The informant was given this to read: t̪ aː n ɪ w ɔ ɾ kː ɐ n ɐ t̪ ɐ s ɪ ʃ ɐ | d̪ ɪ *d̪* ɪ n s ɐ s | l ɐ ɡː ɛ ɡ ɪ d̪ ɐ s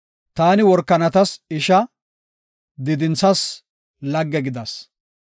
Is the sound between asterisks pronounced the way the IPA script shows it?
yes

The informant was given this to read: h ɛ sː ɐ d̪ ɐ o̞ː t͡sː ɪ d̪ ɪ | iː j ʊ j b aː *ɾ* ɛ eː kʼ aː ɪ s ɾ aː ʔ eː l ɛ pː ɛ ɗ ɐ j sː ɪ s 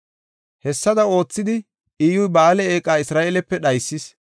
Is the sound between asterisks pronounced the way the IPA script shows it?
no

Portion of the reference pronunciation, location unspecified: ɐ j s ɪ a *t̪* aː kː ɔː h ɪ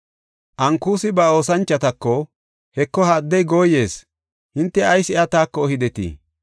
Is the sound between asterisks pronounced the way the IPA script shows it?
yes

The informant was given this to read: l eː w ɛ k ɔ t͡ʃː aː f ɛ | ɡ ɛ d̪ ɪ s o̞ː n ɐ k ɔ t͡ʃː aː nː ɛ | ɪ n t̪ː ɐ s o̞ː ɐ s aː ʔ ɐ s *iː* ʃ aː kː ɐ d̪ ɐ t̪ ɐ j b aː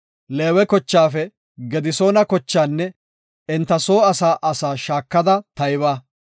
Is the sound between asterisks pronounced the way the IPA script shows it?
no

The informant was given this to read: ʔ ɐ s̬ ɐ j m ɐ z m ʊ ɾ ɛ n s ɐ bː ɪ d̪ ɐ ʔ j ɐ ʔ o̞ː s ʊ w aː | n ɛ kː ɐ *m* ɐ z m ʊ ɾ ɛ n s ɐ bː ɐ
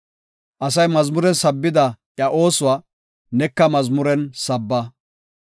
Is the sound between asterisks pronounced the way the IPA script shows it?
yes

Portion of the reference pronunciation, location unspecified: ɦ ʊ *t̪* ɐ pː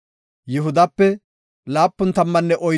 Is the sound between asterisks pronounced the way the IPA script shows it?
no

